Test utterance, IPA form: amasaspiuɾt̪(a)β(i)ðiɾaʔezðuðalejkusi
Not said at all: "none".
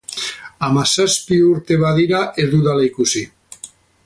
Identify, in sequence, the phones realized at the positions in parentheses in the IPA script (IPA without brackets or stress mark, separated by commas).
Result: e, a